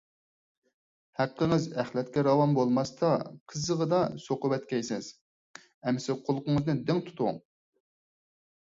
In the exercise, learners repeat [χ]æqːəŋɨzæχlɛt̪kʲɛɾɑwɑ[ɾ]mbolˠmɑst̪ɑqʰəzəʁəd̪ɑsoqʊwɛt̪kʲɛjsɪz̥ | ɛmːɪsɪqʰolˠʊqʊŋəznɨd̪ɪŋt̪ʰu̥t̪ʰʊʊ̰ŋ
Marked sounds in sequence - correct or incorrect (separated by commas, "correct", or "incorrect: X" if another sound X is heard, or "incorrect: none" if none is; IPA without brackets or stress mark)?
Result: incorrect: h, incorrect: none